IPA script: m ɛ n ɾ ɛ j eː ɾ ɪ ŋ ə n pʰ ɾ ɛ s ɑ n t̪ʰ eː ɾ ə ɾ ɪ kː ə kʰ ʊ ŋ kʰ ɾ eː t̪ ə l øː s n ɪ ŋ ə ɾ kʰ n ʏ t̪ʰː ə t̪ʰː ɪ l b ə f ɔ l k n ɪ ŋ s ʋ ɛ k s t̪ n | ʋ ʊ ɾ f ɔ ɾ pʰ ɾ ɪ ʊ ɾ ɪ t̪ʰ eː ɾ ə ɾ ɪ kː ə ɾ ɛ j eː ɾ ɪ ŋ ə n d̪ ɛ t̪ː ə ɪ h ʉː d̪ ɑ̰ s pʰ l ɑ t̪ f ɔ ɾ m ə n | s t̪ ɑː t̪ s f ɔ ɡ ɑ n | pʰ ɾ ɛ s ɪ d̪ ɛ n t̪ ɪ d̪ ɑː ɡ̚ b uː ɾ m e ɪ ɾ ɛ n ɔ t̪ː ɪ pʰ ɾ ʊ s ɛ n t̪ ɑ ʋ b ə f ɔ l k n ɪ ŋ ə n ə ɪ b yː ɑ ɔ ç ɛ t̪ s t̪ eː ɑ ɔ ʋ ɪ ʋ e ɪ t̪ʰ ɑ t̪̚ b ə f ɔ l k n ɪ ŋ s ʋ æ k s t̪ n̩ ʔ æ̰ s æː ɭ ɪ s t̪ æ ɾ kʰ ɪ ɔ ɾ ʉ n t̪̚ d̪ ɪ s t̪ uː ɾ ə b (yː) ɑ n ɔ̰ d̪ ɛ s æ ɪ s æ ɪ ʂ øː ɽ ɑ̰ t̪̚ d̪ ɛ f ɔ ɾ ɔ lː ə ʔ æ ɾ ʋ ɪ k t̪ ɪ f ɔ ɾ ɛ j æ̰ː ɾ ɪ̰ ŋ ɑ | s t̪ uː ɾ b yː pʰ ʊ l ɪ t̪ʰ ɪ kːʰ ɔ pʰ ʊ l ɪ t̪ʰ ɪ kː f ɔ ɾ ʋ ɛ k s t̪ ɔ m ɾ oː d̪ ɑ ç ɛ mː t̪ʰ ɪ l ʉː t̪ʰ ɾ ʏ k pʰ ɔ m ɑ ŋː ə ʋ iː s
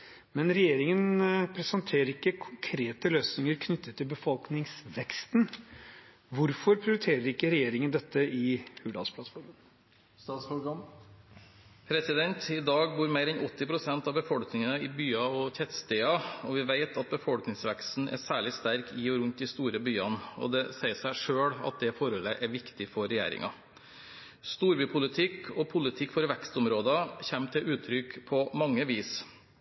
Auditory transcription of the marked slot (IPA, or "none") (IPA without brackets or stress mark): yː